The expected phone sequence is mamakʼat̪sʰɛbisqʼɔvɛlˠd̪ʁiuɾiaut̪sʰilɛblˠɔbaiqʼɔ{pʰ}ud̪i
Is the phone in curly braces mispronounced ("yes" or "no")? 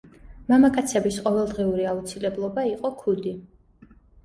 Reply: yes